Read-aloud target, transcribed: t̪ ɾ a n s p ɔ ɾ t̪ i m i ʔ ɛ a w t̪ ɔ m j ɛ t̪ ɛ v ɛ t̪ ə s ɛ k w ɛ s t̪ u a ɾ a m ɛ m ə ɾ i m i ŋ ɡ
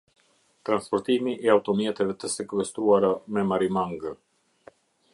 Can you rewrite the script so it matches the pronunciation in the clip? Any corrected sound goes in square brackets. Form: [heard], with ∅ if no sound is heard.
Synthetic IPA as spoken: t̪ ɾ a n s p ɔ ɾ t̪ i m i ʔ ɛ a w t̪ ɔ m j ɛ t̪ ɛ v ɛ t̪ ə s ɛ k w ɛ s t̪ u a ɾ a m ɛ m [a] ɾ i m [a] ŋ ɡ

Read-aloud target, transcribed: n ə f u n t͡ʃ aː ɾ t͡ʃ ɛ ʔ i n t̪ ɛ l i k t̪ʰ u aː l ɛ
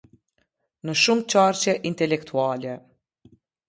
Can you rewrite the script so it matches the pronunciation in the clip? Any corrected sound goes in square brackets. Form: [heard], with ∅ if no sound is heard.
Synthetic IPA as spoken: n ə [ʃ] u [m] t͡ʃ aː ɾ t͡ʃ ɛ ʔ i n t̪ ɛ l [ɛ] k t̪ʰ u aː l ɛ

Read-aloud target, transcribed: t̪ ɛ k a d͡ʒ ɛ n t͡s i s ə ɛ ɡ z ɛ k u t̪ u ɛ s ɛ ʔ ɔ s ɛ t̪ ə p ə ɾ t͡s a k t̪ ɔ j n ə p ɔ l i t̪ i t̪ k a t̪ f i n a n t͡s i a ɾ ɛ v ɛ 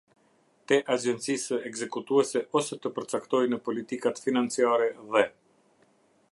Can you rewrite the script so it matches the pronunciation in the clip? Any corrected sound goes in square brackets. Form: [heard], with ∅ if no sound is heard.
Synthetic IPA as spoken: t̪ ɛ [ʔ] a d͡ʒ ɛ n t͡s i s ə ɛ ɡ z ɛ k u t̪ u ɛ s ɛ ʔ ɔ s ɛ t̪ ə p ə ɾ t͡s a k t̪ ɔ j n ə p ɔ l i t̪ i [∅] k a t̪ f i n a n t͡s i a ɾ ɛ [ð] ɛ

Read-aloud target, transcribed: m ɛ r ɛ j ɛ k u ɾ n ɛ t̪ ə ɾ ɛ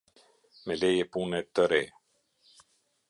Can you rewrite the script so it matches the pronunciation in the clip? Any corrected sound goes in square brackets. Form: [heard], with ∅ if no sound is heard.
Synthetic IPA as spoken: m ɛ [l] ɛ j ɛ [p] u [∅] n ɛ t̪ ə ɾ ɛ

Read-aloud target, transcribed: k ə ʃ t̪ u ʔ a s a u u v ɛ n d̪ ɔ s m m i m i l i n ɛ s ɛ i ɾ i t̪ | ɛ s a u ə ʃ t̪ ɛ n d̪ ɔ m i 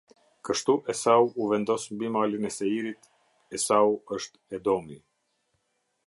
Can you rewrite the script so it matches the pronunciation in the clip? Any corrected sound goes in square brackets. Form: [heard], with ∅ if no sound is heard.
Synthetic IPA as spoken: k ə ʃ t̪ u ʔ [ɛ] s a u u v ɛ n d̪ ɔ s m [b] i m [a] l i n ɛ s ɛ i ɾ i t̪ | ɛ s a u ə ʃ t̪ ɛ [∅] d̪ ɔ m i

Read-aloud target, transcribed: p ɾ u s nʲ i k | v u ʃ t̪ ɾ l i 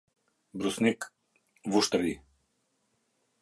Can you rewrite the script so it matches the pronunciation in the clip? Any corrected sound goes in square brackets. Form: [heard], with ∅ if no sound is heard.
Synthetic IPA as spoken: [b] ɾ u s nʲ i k | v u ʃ t̪ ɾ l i

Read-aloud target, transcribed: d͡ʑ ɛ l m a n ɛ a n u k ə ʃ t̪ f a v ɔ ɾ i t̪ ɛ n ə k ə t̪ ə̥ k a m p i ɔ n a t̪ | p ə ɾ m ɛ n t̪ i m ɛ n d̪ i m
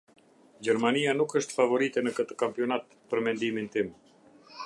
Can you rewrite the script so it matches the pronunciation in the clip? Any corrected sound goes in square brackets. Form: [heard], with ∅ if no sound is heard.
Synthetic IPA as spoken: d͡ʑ ɛ [ɾ] m a n [i] a n u k ə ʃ t̪ f a v ɔ ɾ i t̪ ɛ n ə k ə t̪ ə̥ k a m p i ɔ n a t̪ | p ə ɾ m ɛ n [d̪] i m [i] n [t̪] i m

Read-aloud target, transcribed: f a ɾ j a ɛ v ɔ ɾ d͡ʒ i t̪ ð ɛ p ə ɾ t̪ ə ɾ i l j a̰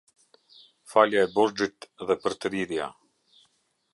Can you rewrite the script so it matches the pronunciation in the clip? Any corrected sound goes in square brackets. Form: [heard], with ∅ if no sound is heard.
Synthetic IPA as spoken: f a [l] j a ɛ [b] ɔ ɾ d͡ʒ i t̪ ð ɛ p ə ɾ t̪ ə ɾ i [ɾ] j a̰

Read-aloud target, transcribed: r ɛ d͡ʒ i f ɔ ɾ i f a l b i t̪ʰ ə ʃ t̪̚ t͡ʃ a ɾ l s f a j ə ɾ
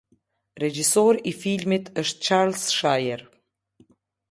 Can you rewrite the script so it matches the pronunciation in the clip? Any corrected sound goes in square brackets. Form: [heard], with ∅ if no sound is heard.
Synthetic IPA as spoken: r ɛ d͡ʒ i [s] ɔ ɾ i f [i] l [m] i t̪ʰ ə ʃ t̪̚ t͡ʃ a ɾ l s [ʃ] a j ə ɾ

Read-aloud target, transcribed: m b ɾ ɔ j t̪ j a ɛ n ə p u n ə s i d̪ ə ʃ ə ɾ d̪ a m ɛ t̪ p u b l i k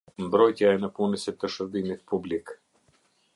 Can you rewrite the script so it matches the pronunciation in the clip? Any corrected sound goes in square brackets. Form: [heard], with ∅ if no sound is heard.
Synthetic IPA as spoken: m b ɾ ɔ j t̪ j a ɛ n ə p u n ə s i [t̪] ə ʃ ə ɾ d̪ [i] m [i] t̪ p u b l i k

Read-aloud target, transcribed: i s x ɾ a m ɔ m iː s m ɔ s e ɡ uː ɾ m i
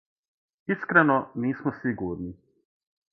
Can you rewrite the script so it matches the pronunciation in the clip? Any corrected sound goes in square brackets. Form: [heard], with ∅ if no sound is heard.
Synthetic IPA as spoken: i s [k] ɾ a [n] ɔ [n] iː s m ɔ s [i] ɡ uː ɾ [n] i

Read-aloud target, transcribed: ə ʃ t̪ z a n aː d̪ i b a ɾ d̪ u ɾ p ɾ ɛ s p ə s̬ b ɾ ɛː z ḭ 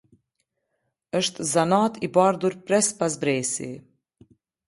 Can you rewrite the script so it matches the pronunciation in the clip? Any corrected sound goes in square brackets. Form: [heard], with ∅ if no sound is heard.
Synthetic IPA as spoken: ə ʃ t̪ z a n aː [t̪] i b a ɾ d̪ u ɾ p ɾ ɛ s p [a] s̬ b ɾ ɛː [s] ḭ

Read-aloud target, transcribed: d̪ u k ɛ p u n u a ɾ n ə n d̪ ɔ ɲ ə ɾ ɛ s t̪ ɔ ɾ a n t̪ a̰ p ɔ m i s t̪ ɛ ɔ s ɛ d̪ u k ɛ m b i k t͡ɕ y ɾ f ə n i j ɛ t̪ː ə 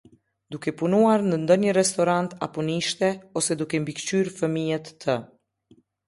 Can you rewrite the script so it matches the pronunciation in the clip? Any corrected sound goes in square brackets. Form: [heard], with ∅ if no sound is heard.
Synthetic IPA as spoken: d̪ u k ɛ p u n u a ɾ n ə n d̪ ɔ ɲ ə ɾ ɛ s t̪ ɔ ɾ a n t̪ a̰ p ɔ [n] i [ʃ] t̪ ɛ ɔ s ɛ d̪ u k ɛ m b i k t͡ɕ y ɾ f ə [m] i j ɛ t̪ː ə

